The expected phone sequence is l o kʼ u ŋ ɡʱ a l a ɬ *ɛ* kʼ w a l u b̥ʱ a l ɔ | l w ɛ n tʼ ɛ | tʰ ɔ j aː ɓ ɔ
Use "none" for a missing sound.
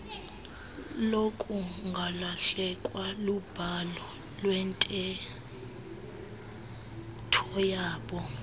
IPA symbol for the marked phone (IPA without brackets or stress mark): ɛ